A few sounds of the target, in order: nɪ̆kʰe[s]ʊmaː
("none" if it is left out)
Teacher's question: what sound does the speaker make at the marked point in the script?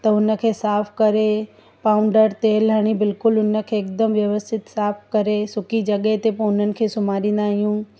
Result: s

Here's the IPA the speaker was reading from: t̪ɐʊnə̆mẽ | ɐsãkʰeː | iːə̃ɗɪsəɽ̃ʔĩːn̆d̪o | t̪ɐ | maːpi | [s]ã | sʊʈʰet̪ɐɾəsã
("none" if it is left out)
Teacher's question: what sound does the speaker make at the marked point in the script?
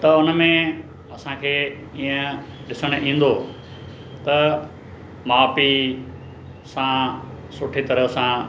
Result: s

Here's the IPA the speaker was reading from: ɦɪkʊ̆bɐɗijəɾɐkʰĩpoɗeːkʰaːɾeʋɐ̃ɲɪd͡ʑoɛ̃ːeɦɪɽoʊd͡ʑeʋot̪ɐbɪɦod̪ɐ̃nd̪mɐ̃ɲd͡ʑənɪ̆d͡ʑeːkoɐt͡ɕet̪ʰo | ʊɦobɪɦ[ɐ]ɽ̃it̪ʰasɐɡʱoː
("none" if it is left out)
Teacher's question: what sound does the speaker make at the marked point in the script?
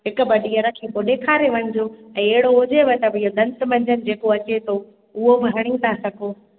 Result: ɐ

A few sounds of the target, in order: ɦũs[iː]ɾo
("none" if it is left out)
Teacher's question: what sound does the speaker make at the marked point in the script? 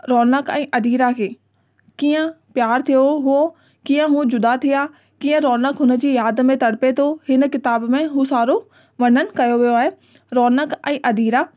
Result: aː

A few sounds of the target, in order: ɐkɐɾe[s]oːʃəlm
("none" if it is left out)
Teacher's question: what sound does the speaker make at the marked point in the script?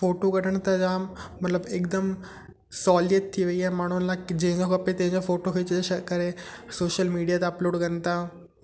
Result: s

